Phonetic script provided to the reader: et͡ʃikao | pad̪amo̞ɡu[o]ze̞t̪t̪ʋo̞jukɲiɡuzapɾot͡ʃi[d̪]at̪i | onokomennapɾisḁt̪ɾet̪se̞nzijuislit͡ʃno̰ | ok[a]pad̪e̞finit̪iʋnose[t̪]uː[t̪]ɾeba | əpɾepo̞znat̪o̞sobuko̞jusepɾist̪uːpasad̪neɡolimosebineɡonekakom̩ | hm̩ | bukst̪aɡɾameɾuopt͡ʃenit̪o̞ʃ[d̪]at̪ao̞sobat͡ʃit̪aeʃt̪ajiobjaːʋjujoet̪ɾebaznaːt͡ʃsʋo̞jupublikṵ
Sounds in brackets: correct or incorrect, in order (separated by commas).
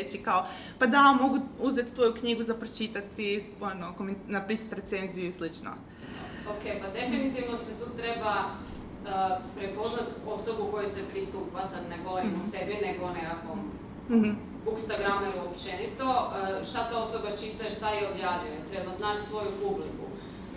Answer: incorrect, incorrect, incorrect, correct, correct, incorrect